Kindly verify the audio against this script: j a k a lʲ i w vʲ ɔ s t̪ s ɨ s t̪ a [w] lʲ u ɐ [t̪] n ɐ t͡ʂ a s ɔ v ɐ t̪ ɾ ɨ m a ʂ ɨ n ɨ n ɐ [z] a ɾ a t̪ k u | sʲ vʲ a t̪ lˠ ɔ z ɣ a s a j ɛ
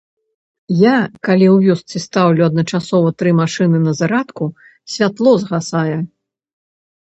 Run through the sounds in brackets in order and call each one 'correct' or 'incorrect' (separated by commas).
correct, incorrect, correct